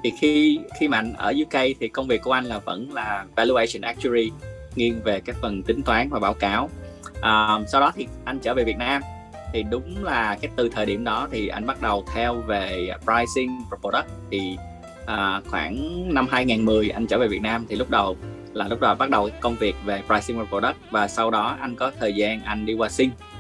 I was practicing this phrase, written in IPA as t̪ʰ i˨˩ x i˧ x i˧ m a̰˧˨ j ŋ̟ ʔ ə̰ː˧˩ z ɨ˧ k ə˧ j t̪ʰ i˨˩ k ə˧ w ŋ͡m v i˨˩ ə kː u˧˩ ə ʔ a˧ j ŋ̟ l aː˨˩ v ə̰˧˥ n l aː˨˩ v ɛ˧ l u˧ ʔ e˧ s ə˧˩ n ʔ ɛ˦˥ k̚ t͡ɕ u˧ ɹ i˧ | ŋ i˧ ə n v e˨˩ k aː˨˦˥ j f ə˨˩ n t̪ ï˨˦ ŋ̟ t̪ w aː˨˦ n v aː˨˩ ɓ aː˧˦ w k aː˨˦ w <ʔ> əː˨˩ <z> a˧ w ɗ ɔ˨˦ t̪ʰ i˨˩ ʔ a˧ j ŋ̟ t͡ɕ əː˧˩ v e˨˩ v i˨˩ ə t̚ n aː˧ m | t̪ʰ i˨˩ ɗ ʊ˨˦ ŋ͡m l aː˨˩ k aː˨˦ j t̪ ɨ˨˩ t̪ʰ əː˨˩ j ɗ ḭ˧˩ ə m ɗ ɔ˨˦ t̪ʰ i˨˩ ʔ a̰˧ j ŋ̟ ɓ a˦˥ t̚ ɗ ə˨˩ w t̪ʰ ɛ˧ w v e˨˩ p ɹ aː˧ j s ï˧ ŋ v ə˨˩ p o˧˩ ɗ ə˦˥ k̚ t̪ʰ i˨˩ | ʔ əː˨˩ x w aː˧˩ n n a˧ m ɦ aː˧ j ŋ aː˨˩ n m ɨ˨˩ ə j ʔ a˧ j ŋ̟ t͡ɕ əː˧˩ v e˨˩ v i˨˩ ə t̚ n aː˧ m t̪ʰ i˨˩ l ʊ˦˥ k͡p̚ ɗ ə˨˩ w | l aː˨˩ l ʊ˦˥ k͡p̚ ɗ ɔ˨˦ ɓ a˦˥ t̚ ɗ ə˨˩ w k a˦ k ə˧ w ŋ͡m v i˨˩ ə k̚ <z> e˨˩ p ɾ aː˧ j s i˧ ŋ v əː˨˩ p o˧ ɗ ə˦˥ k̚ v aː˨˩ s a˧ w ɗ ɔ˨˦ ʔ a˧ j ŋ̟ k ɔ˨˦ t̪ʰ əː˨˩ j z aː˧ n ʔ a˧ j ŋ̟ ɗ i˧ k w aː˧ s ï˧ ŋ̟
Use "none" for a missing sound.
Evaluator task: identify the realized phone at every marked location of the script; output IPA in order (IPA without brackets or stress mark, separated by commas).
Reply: ʔ, s, v